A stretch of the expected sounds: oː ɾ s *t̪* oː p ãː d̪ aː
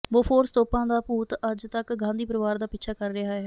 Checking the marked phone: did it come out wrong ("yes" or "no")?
no